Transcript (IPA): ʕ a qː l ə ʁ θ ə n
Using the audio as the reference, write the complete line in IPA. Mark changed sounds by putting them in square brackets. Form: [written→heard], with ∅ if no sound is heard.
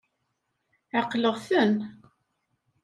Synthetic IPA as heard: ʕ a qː l ə ʁ θ ə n

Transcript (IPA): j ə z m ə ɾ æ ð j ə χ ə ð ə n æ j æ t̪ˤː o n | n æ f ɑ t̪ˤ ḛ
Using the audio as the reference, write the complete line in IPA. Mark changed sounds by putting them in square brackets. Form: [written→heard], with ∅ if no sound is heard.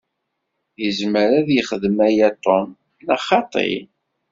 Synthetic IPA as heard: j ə z m ə ɾ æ ð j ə χ ə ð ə [n→m] æ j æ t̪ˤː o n | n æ [f→χ] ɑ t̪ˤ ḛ

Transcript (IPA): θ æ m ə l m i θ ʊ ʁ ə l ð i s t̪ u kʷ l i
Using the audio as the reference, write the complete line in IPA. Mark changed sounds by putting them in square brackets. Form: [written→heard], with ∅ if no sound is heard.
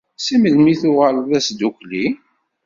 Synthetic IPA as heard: [θ→s] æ m ə l m i θ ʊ ʁ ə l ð [i→æ] s [t̪→d̪] u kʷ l i

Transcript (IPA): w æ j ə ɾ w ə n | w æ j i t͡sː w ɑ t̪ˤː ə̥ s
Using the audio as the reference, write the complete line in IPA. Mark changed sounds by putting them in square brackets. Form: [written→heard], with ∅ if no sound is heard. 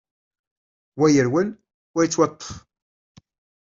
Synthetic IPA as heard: w æ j ə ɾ w ə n | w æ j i t͡sː w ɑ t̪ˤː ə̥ [s→f]

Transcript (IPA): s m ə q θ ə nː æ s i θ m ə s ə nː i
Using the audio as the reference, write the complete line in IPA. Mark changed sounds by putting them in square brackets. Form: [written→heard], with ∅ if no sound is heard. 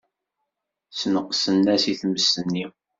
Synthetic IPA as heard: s [m→n] ə q [θ→s] ə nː æ s i θ m ə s ə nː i

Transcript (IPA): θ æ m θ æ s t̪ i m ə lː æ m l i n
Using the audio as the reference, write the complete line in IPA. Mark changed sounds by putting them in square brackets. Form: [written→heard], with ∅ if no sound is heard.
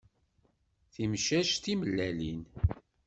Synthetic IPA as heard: θ [æ→i] m [θ→ʃ] æ [s→ʃ] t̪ i m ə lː æ [m→∅] l i n

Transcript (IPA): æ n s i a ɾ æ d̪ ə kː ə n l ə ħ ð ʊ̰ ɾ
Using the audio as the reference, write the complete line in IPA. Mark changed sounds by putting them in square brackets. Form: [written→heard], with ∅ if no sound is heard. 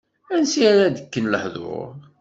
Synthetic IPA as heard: æ n s i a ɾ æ d̪ ə kː ə n l ə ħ ð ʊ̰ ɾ

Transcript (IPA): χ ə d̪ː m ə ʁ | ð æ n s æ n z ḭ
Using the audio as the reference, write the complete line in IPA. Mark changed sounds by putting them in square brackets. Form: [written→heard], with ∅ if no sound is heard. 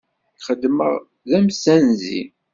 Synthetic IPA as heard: χ ə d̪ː m ə ʁ | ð æ [n→m] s æ n z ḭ

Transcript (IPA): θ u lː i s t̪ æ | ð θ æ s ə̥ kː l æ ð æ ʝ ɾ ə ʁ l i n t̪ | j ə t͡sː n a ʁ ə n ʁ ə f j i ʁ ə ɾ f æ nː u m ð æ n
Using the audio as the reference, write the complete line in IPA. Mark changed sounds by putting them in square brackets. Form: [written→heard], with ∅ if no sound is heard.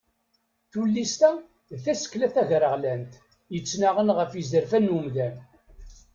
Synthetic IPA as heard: θ u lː i s t̪ æ | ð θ æ s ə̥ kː l æ [ð→θ] æ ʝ ɾ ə ʁ l [i→æ] n t̪ | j ə t͡sː n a ʁ ə n ʁ ə f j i [ʁ→z] ə ɾ f æ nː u m ð æ n

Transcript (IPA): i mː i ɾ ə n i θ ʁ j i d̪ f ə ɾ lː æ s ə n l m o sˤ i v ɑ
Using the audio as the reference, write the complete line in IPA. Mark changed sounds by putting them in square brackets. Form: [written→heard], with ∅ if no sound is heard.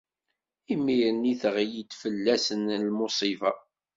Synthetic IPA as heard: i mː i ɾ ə n i θ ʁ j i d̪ f ə [ɾ→∅] lː æ s ə n l m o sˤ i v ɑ

